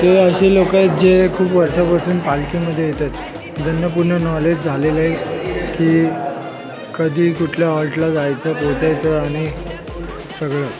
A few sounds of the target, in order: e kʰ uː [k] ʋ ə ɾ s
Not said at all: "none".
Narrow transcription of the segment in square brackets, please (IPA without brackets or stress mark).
p